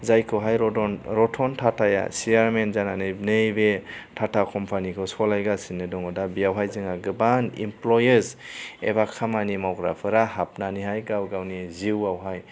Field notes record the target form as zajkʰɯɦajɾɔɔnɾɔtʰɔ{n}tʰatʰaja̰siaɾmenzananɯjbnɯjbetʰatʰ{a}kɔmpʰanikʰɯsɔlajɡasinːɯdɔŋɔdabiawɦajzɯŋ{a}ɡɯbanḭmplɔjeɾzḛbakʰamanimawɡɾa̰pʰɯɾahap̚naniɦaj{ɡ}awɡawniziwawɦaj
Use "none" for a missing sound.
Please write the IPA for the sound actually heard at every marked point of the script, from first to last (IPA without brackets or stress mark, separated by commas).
n, a, a, ɡ